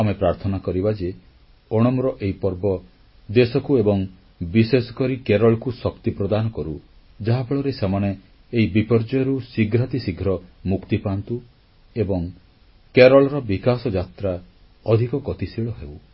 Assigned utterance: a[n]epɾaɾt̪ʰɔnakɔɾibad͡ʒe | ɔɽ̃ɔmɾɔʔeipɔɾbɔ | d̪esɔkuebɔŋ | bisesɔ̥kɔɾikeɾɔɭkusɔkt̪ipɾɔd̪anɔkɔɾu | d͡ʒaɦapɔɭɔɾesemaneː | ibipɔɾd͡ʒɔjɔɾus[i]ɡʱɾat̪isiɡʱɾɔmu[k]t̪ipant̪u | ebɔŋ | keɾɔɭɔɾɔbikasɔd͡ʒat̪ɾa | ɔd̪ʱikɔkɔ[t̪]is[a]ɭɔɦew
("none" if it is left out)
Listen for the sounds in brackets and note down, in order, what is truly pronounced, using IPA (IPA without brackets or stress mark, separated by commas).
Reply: m, i, k, t̪, i